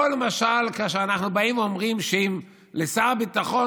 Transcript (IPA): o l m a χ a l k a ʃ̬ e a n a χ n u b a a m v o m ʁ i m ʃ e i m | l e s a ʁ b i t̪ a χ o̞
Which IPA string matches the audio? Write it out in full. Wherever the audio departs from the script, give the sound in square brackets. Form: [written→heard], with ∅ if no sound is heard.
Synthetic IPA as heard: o l m a [χ→ʃ] a l k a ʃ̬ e a n a χ n u b a [a→i] m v o m ʁ i m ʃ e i m | l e s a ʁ b i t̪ a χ o̞